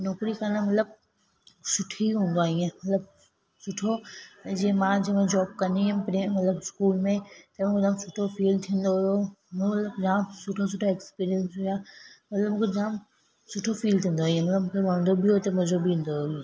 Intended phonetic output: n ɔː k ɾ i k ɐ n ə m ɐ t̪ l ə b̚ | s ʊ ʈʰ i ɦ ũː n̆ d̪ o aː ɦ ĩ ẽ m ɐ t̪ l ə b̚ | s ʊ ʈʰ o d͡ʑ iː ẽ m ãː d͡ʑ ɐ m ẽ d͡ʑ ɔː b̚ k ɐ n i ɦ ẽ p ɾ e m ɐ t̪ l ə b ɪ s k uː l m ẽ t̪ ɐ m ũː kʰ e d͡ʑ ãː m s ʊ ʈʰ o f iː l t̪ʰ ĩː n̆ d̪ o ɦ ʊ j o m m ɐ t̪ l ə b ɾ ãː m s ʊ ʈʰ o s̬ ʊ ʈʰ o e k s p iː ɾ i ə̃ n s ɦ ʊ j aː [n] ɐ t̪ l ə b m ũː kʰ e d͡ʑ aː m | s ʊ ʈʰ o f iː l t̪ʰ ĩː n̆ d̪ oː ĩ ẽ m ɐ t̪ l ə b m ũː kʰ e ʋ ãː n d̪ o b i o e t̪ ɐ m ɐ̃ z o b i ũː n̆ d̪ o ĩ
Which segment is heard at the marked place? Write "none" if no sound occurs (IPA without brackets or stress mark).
m